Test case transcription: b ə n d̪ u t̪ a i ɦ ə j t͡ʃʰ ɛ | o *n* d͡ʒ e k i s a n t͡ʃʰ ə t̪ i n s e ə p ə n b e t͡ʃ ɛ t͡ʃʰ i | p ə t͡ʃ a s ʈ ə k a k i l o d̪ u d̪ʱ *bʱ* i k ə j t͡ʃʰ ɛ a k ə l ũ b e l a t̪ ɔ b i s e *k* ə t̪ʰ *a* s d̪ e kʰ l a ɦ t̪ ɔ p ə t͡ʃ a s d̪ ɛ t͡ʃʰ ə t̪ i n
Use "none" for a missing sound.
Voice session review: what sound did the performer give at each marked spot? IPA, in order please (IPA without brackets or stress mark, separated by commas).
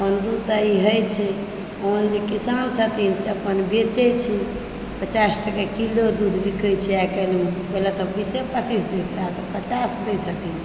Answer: n, bʱ, p, i